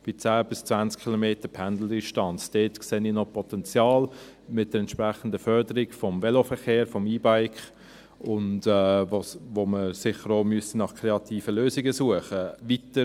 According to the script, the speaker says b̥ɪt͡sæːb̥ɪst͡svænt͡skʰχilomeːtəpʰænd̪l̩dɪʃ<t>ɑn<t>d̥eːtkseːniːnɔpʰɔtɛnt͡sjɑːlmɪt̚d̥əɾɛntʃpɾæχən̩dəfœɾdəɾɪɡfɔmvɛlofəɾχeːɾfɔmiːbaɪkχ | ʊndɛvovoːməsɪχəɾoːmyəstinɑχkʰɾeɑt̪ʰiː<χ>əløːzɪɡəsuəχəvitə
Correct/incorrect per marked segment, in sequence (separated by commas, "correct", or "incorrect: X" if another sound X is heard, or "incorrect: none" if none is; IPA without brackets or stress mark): correct, incorrect: t͡s, incorrect: f